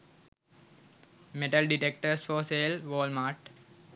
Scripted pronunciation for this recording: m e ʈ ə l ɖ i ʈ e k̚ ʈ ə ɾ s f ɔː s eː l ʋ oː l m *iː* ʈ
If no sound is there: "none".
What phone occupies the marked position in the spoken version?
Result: aː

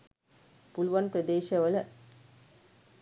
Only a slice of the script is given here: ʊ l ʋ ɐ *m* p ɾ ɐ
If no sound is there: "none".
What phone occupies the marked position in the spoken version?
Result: n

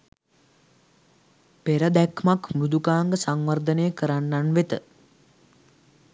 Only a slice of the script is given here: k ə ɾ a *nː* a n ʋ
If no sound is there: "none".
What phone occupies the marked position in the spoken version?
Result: nː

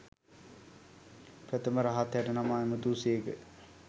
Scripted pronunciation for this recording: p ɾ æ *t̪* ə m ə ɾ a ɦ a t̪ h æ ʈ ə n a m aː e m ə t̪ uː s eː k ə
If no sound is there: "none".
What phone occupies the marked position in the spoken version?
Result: t̪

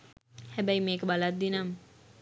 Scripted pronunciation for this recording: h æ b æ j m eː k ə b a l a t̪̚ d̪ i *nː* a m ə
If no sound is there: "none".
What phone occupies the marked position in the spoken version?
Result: n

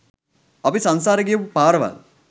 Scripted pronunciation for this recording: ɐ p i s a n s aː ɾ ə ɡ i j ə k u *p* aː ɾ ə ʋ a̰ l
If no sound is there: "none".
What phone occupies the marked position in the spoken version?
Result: p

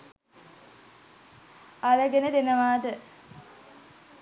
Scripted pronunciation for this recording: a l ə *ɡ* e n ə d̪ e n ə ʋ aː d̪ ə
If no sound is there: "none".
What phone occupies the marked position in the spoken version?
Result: ɡ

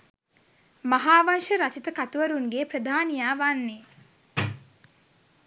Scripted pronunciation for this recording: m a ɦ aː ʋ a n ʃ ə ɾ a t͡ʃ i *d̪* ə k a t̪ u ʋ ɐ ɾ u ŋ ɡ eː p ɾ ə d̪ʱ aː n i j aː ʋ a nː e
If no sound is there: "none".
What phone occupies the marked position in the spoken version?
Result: t̪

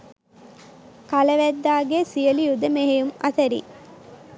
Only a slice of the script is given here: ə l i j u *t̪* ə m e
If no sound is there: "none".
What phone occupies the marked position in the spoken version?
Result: d̪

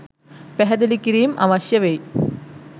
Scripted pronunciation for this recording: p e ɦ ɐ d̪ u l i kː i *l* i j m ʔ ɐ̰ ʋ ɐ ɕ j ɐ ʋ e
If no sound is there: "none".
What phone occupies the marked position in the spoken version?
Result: ɾ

